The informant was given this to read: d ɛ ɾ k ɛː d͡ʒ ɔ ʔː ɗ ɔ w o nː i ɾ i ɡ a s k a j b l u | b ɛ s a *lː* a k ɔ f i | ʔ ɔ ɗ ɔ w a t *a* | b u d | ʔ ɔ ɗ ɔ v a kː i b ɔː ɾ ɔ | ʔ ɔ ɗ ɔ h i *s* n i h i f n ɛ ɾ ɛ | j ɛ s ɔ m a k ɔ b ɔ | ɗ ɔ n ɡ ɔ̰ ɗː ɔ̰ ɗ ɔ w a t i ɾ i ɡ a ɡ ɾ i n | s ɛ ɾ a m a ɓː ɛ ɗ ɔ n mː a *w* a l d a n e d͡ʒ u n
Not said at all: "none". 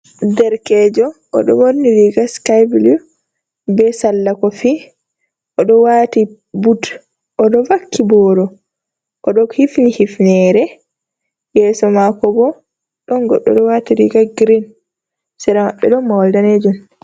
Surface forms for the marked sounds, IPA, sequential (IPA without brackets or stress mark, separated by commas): lː, i, f, w